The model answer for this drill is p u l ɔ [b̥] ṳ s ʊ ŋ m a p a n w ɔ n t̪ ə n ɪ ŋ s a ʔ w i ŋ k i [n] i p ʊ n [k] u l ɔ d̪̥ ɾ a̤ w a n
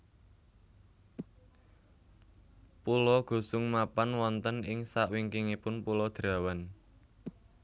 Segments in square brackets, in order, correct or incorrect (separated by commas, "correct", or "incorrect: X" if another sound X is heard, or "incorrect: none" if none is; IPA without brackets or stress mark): incorrect: ɡ̥, incorrect: ŋ, incorrect: p